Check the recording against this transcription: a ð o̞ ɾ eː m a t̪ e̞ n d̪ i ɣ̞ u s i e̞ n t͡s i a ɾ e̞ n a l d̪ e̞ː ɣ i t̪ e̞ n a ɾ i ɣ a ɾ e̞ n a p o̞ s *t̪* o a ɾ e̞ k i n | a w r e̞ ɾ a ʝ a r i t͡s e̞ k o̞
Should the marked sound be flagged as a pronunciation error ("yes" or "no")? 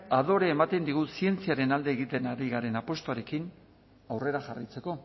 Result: no